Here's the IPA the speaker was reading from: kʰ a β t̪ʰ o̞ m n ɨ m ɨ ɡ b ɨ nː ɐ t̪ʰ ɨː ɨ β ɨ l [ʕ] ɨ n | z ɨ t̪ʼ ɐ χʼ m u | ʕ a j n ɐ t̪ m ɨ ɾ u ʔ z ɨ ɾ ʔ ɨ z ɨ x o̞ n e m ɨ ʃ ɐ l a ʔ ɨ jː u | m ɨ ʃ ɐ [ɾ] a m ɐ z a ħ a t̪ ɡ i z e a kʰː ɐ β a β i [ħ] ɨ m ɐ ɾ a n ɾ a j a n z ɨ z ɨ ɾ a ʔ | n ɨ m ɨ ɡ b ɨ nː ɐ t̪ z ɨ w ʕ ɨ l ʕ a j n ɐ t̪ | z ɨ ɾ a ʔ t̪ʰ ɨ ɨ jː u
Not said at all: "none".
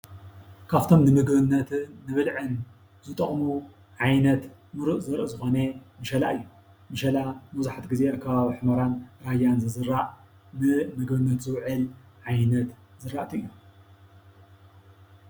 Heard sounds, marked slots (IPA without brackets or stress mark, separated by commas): ʕ, l, ħ